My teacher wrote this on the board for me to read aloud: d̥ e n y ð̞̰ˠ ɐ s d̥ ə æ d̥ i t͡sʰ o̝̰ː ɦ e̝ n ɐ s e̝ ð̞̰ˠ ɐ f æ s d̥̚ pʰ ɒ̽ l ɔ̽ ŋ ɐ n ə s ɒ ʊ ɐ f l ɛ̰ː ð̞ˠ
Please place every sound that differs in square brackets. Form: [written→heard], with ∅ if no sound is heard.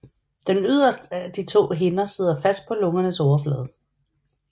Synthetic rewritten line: d̥ e n y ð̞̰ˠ ɐ s d̥ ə æ d̥ i t͡sʰ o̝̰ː ɦ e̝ n ɐ s e̝ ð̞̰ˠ ɐ f æ s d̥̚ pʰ ɒ̽ l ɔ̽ ŋ ɐ n ə s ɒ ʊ ɐ f l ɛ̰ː ð̞ˠ